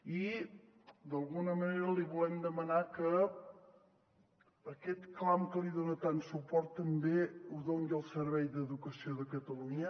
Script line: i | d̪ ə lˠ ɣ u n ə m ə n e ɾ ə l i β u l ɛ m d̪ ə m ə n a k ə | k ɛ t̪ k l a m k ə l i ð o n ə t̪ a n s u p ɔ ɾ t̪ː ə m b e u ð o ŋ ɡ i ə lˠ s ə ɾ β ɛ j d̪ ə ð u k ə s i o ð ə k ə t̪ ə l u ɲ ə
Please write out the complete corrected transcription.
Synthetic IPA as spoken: i | d̪ ə lˠ ɣ u n ə m ə n e ɾ ə l i β u l ɛ m d̪ ə m ə n a k ə | k ɛ t̪ k l a m k ə l i ð o n ə t̪ a n s u p ɔ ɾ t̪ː ə m b e u ð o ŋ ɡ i ə lˠ s ə ɾ β ɛ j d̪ ə ð u k ə s i o ð ə k ə t̪ ə l u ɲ ə